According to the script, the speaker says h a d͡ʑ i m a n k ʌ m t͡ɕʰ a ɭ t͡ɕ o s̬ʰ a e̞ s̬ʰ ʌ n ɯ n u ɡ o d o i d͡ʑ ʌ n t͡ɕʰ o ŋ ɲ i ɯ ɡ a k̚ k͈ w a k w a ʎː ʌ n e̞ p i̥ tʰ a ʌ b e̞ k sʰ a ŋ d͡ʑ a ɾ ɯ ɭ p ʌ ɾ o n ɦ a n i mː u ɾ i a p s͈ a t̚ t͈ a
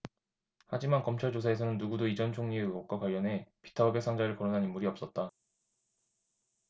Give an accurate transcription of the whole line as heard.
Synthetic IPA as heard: h a d͡ʑ i m a n k ʌ m t͡ɕʰ a ɭ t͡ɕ o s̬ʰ a e̞ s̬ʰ ʌ n ɯ nː u ɡ u d o i d͡ʑ ʌ n t͡ɕʰ o ŋ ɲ i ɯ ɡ ʌ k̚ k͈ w a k w a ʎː ʌ n e̞ p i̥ tʰ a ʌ b e̞ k sʰ a ŋ d͡ʑ a ɾ ɯ ɭ k ʌ ɾ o n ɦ a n i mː u ɾ i ʌ p s͈ ʌ t̚ t͈ a